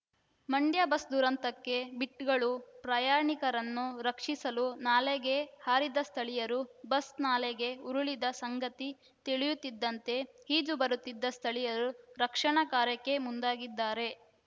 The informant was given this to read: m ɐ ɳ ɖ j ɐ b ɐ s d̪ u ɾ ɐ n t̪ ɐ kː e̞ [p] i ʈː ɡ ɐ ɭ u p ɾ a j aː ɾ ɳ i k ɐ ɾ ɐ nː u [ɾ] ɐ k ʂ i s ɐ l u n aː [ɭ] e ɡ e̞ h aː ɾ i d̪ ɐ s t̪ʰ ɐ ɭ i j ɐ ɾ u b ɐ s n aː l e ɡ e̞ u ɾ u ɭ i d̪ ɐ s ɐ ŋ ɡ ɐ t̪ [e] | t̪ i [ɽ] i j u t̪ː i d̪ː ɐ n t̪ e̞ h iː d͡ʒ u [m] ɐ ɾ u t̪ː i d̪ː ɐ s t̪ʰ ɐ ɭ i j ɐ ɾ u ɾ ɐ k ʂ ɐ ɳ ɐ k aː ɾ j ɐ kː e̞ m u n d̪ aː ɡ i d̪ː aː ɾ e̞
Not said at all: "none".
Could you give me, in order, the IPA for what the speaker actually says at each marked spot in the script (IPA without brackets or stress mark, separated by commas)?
b, ɾ, l, i, ɭ, b